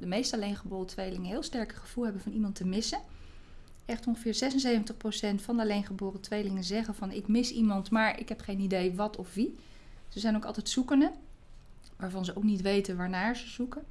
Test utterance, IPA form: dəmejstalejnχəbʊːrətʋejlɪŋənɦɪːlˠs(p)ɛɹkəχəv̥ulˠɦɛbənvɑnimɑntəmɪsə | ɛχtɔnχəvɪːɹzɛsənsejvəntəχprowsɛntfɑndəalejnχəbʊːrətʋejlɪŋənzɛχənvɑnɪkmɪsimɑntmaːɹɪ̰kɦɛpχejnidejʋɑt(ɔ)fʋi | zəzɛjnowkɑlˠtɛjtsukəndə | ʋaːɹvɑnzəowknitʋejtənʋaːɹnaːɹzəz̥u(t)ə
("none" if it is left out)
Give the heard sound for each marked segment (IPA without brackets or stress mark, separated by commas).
t, ɔ, k